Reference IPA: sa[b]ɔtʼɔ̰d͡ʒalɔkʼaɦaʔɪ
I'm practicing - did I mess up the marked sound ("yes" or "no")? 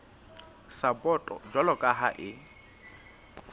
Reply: no